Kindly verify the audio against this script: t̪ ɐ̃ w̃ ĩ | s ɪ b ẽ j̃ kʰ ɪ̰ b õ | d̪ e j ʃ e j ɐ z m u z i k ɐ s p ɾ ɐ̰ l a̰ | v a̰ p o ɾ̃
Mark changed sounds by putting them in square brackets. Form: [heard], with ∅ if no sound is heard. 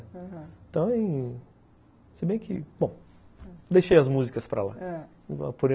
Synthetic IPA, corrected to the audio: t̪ ɐ̃ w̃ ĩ | s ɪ b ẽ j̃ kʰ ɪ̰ b õ | d̪ e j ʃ e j ɐ z m u z i k ɐ s p ɾ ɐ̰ l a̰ | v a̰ p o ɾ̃